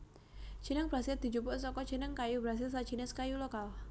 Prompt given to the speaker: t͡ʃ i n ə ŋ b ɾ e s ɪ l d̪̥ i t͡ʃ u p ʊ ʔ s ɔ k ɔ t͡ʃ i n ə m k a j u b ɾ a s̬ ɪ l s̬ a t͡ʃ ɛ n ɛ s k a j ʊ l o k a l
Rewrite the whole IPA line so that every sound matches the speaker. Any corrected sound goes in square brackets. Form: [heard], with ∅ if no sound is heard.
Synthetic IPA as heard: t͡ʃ i n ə ŋ b ɾ [a] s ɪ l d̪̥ i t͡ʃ u p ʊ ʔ s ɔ k ɔ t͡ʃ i n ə [ŋ] k a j u b ɾ a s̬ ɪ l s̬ a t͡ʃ [i] n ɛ s k a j [u] l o k a l